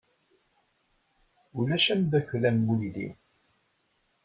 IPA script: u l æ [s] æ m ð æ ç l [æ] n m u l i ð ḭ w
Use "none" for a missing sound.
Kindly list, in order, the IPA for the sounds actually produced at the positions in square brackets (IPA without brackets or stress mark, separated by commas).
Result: ʃ, æ